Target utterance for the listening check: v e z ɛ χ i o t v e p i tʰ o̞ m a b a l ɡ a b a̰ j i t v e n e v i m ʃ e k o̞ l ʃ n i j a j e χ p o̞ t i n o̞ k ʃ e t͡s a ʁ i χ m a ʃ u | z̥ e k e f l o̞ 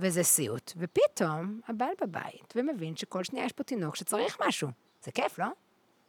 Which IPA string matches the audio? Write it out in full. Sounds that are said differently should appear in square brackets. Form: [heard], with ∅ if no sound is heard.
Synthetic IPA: v e z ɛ [s] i [u] t v e p i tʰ o̞ m a b a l [b] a b a̰ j i t v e [m] e v i [n] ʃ e k o̞ l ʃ n i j a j e [ʃ] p o̞ t i n o̞ k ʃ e t͡s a ʁ i χ m a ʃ u | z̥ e k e f l o̞